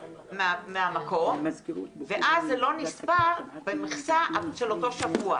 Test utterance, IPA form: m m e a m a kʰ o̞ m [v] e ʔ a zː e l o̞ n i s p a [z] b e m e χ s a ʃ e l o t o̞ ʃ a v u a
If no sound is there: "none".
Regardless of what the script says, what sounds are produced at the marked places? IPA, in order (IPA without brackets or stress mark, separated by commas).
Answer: v, ʁ